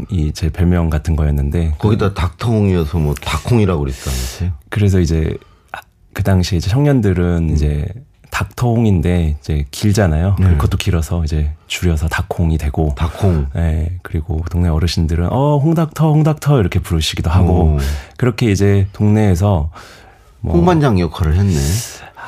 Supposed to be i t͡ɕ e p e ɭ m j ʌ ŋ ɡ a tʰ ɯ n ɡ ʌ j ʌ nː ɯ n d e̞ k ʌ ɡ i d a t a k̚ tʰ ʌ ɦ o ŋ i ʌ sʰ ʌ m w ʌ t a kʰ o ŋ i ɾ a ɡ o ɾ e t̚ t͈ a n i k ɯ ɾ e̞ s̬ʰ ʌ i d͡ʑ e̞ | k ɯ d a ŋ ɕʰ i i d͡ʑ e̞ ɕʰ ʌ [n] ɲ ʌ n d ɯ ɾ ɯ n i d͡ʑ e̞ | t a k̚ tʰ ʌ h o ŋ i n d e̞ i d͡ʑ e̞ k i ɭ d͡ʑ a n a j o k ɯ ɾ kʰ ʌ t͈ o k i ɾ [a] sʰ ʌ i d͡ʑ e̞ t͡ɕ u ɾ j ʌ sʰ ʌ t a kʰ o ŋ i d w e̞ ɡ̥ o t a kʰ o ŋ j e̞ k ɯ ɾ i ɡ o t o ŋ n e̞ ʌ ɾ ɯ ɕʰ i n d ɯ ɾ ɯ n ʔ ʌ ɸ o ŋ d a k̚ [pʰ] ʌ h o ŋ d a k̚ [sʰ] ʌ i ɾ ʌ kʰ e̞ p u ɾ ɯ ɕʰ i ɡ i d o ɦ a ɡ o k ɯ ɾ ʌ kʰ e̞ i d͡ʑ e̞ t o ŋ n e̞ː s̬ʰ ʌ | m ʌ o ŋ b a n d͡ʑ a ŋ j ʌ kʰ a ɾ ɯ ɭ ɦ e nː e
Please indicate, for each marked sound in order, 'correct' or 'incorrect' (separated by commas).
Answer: incorrect, incorrect, incorrect, incorrect